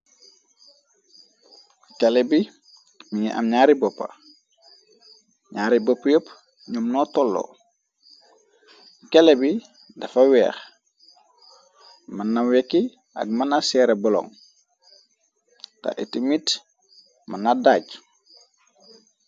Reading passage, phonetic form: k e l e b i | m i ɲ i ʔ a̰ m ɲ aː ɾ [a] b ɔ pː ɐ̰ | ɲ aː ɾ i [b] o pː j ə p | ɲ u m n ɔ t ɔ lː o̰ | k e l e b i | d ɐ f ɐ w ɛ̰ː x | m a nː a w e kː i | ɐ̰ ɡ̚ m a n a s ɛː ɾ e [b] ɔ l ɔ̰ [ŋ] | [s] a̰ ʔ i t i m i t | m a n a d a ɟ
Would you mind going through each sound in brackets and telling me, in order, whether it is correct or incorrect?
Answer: incorrect: i, correct, correct, correct, incorrect: t

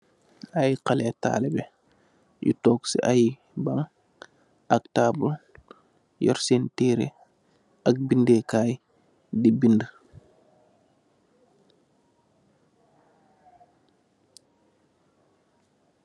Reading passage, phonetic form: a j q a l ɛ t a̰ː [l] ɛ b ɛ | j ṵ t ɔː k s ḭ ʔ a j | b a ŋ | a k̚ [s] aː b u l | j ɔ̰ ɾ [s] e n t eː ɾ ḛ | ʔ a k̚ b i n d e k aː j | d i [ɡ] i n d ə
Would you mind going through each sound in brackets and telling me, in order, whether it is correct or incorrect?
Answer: correct, incorrect: t, correct, incorrect: b

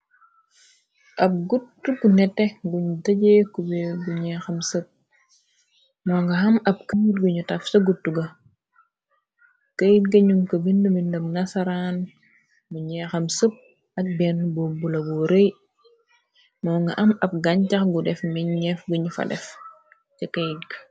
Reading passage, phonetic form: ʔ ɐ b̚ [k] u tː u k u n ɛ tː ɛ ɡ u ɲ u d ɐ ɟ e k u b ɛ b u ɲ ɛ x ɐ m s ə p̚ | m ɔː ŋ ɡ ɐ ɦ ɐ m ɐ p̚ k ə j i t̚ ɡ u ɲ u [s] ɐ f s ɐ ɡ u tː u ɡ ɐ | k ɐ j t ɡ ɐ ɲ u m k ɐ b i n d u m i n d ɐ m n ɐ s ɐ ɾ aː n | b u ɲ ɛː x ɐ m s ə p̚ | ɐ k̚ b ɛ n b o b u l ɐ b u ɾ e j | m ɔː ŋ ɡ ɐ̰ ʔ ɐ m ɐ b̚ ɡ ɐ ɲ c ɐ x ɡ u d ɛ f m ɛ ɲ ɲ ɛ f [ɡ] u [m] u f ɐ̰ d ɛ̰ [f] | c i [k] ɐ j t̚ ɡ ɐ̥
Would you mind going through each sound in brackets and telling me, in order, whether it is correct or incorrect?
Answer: incorrect: ɡ, incorrect: t, correct, incorrect: ɲ, correct, correct

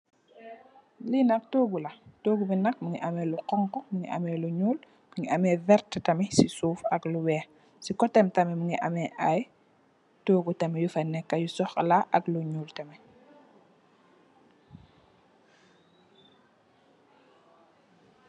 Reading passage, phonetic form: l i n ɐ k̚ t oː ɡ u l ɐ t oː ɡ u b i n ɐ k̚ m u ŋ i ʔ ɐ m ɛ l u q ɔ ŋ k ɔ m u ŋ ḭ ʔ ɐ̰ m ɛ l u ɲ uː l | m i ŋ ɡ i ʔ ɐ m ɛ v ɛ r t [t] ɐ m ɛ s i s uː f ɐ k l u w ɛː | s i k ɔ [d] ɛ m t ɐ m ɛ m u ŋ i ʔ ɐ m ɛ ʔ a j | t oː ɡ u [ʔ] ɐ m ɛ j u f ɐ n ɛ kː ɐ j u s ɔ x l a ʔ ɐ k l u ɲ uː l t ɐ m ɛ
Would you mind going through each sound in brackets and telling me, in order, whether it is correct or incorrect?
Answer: correct, incorrect: t, incorrect: t

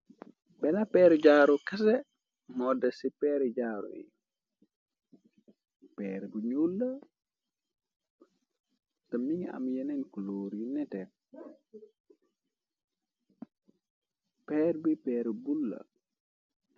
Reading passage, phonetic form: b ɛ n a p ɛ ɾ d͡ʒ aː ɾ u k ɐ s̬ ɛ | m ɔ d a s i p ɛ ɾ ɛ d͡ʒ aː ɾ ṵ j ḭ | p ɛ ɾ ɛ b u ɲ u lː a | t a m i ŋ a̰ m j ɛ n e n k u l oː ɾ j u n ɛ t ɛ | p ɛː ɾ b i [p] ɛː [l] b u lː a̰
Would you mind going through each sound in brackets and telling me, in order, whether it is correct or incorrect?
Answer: correct, incorrect: ɾ

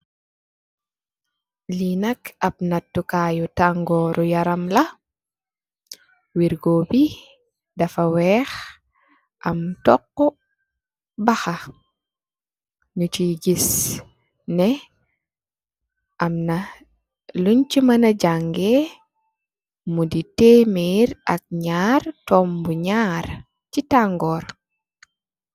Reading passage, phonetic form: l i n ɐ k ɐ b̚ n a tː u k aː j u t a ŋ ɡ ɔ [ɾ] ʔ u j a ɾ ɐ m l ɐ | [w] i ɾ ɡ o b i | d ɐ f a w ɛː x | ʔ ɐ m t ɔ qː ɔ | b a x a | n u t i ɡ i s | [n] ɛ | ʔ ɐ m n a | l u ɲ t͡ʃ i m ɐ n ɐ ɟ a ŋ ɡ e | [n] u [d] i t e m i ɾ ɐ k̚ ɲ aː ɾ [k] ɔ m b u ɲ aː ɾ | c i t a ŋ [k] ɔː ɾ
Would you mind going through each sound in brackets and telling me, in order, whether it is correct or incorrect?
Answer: correct, correct, correct, incorrect: m, correct, incorrect: t, incorrect: ɡ

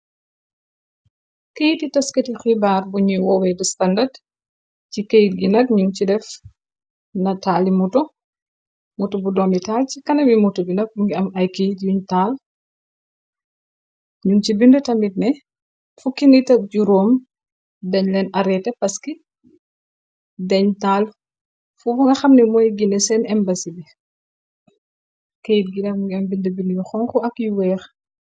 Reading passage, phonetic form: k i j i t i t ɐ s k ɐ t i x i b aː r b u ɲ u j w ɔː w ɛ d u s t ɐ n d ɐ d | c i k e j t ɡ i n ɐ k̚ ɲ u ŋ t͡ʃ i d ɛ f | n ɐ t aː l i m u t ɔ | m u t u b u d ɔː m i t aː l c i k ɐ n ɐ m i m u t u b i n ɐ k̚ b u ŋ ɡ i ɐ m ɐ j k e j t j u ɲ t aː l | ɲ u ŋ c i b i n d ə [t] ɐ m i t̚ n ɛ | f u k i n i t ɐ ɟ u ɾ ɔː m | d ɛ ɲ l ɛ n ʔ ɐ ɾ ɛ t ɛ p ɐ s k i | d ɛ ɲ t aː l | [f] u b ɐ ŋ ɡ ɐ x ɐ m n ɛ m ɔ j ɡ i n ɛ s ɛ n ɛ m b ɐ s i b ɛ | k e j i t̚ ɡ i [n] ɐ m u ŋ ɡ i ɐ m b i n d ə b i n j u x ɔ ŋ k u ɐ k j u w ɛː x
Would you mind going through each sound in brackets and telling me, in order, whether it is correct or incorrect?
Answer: correct, correct, correct

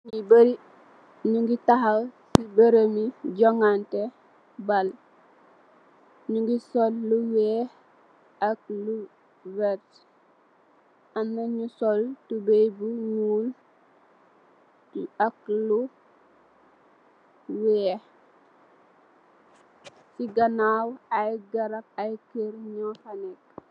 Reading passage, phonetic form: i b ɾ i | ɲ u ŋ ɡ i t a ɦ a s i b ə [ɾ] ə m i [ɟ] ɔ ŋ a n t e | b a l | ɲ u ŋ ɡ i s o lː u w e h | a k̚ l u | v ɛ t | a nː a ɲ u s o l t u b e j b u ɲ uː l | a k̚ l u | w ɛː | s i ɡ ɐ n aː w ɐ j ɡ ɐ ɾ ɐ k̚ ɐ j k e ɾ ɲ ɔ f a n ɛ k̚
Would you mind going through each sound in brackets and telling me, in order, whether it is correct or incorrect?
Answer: correct, correct

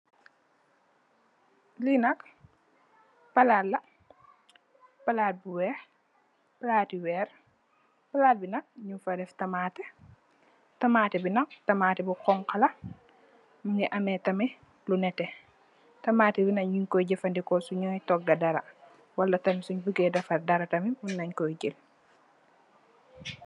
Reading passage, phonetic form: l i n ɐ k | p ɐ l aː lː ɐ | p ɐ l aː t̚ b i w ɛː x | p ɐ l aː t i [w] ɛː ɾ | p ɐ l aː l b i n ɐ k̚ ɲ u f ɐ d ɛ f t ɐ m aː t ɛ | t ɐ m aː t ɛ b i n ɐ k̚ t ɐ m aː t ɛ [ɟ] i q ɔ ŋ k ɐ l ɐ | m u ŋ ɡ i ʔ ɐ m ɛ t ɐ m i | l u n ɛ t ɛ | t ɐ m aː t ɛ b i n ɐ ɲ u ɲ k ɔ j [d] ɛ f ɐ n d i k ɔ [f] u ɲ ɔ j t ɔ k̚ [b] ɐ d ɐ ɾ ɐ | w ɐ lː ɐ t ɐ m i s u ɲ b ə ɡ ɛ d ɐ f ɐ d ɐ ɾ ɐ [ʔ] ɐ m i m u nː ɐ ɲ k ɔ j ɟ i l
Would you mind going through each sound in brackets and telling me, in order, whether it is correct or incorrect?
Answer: correct, incorrect: b, incorrect: ɟ, incorrect: s, incorrect: ɡ, incorrect: t

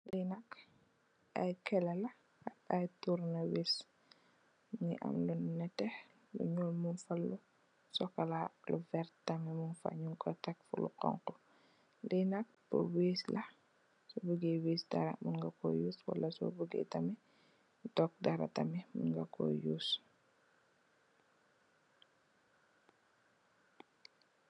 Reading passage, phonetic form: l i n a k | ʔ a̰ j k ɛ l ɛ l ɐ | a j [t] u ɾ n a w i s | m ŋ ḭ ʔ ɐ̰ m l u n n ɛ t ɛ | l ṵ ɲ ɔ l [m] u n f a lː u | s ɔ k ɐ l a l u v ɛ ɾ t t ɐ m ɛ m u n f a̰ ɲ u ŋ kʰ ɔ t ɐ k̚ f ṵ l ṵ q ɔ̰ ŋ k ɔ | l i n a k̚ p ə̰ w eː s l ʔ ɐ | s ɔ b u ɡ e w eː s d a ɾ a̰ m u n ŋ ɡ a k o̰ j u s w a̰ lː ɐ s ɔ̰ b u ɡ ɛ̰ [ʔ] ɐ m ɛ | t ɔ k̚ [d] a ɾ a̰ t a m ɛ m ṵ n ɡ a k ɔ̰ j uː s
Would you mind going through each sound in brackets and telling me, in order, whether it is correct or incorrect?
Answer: correct, correct, incorrect: t, correct

